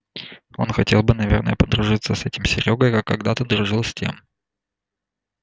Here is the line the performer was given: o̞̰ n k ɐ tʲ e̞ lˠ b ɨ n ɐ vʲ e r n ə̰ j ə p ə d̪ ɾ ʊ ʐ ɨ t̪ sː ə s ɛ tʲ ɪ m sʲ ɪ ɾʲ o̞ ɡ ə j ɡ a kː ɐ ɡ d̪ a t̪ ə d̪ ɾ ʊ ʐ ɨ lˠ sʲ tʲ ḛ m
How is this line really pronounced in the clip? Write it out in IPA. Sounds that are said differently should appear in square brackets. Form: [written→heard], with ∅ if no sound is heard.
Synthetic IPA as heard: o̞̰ n [k→x] ɐ tʲ e̞ lˠ b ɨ n ɐ vʲ e r n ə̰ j ə p ə d̪ ɾ ʊ ʐ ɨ t̪ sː ə s ɛ tʲ ɪ m sʲ ɪ ɾʲ o̞ ɡ ə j [ɡ→k] a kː ɐ ɡ d̪ a t̪ ə d̪ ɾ ʊ ʐ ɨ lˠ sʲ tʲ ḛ m

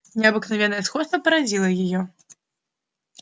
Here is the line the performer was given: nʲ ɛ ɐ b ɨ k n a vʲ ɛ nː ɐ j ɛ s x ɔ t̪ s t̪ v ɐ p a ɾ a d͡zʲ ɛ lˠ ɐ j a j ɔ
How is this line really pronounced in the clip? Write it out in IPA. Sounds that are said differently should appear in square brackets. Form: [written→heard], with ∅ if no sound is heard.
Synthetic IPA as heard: nʲ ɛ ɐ b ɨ k n a vʲ ɛ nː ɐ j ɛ s x ɔ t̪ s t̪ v ɐ p [a→ɐ] ɾ a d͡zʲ [ɛ→i] lˠ ɐ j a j ɔ

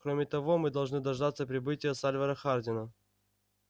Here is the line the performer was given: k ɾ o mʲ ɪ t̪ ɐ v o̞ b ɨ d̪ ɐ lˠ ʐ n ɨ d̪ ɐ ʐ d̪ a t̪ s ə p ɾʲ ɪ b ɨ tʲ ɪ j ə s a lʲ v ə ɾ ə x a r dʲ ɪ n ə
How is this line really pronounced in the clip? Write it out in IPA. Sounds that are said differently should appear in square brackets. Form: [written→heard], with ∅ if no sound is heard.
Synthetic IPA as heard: k ɾ o mʲ ɪ t̪ ɐ v o̞ [b→m] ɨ d̪ ɐ lˠ ʐ n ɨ d̪ ɐ ʐ d̪ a t̪ s ə p ɾʲ ɪ b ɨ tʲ ɪ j ə s a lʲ v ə ɾ ə x a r dʲ ɪ n ə

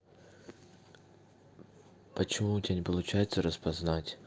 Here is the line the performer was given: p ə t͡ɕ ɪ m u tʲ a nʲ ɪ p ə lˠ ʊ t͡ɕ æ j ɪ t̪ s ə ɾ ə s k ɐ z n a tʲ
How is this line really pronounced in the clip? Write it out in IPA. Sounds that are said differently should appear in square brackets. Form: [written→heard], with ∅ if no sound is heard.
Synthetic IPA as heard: p ə t͡ɕ ɪ m u tʲ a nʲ ɪ p ə lˠ ʊ t͡ɕ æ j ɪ t̪ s ə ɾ ə s [k→p] ɐ z n a tʲ

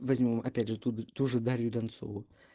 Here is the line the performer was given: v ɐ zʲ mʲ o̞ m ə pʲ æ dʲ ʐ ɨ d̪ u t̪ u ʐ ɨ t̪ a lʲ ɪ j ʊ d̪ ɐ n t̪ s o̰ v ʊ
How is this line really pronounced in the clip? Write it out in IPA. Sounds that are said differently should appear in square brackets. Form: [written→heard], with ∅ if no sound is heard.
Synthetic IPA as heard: v ɐ zʲ mʲ o̞ m [ə→ɐ] pʲ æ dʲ ʐ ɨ [d̪→t̪] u t̪ u ʐ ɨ [t̪→d̪] a [lʲ→ɾʲ] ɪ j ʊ d̪ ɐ n t̪ s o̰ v ʊ

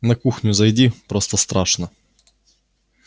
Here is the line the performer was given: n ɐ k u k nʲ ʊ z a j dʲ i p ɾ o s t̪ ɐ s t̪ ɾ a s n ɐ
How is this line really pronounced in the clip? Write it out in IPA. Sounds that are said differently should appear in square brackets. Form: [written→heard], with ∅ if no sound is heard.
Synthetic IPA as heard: n ɐ k u [k→x] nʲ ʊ z [a→ɐ] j dʲ i p ɾ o s t̪ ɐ s t̪ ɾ a [s→ʂ] n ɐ

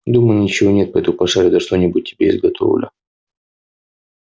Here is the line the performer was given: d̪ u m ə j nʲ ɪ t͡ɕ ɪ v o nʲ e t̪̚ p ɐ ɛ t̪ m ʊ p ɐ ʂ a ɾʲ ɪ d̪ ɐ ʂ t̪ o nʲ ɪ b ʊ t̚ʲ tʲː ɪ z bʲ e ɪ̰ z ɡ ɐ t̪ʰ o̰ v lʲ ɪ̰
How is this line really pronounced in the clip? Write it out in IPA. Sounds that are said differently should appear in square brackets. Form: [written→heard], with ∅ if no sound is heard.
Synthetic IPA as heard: d̪ u m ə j nʲ ɪ t͡ɕ ɪ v o nʲ e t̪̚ p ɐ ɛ t̪ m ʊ p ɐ ʂ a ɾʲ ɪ d̪ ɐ ʂ t̪ o nʲ ɪ b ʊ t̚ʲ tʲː ɪ [z→∅] bʲ e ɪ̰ z ɡ ɐ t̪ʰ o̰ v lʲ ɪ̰

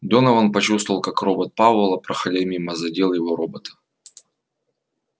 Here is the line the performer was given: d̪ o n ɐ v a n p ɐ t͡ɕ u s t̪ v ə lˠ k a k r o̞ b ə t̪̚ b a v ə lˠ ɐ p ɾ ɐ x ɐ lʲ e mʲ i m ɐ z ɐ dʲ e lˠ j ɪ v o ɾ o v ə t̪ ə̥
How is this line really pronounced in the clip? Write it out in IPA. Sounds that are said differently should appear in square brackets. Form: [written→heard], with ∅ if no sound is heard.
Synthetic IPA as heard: d̪ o n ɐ v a n p ɐ t͡ɕ u s t̪ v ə lˠ k a k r o̞ b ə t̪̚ [b→p] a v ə lˠ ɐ p ɾ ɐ x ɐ lʲ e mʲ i m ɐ z ɐ dʲ e lˠ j ɪ v o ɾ o [v→b] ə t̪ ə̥

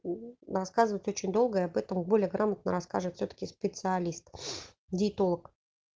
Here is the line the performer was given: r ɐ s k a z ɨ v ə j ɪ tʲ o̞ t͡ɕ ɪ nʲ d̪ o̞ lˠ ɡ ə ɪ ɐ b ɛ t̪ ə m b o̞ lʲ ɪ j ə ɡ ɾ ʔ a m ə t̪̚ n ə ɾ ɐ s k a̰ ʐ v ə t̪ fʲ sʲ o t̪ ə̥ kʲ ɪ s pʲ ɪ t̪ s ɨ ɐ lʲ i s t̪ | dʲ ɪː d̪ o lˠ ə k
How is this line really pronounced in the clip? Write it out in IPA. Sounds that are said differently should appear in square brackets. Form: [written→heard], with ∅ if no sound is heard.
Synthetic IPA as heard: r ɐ s k a z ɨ v ə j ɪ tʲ o̞ t͡ɕ ɪ nʲ d̪ o̞ lˠ ɡ ə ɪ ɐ b ɛ t̪ ə m b o̞ lʲ ɪ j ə ɡ ɾ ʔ a m ə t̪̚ n ə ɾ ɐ s k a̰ ʐ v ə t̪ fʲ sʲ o t̪ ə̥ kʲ ɪ s pʲ ɪ t̪ s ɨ ɐ lʲ i s t̪ | dʲ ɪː [d̪→t̪] o lˠ ə k

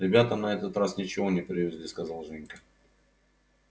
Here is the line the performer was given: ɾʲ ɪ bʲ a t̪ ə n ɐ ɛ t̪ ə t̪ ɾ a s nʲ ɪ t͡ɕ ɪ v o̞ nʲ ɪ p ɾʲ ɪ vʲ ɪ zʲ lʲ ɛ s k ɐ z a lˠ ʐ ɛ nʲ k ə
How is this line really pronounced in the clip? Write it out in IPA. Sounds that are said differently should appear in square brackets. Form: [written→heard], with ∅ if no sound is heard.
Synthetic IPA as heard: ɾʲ ɪ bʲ a t̪ ə n ɐ ɛ t̪ ə t̪ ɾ a s nʲ ɪ t͡ɕ ɪ v o̞ nʲ ɪ p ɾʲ ɪ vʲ ɪ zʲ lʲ [ɛ→i] s k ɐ z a lˠ ʐ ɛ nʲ k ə

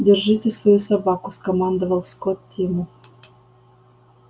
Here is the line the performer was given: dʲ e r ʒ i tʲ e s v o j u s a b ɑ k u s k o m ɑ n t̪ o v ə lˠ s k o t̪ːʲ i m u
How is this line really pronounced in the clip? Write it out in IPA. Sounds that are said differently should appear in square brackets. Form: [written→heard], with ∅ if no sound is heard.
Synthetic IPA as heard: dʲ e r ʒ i tʲ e s v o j u s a b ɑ k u s k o m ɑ n [t̪→d̪] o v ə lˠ s k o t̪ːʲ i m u

